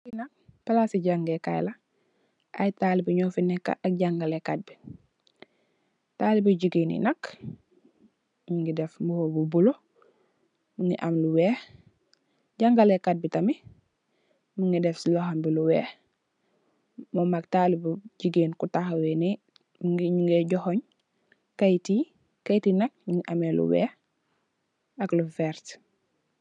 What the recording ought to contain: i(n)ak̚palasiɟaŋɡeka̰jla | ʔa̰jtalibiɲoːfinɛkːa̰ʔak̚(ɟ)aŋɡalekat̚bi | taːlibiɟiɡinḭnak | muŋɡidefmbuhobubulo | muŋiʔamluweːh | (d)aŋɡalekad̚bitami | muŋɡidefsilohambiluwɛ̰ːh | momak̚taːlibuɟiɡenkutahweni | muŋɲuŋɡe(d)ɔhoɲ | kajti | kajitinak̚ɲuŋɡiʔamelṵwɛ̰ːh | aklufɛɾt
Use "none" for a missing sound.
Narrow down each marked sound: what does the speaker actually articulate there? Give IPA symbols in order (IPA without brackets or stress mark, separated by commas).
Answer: n, ɟ, ɟ, ɟ